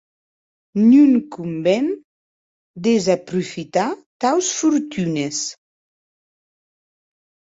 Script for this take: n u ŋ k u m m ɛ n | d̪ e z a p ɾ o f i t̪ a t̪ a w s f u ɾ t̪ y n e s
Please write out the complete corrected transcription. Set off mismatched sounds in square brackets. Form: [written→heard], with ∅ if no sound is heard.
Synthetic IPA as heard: n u ŋ k u m [m→b] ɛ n | d̪ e z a p ɾ [o→u] f i t̪ a t̪ a w s f u ɾ t̪ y n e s